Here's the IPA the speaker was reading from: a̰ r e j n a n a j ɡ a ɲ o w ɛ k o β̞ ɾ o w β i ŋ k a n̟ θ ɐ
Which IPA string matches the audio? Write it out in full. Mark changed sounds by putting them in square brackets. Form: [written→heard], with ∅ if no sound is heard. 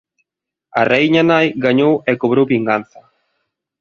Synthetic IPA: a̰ r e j [n→ɲ] a n a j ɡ a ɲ o w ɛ k o β̞ ɾ o w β i ŋ [k→ɡ] a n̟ θ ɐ